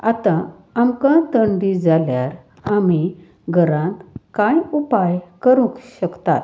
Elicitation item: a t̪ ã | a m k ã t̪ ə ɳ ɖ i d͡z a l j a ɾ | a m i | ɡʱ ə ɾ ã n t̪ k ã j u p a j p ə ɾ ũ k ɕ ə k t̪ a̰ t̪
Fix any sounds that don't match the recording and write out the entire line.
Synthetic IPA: a t̪ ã | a m k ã t̪ ə ɳ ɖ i d͡z a l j a ɾ | a m i | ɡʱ ə ɾ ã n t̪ k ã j u p a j k ə ɾ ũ k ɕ ə k t̪ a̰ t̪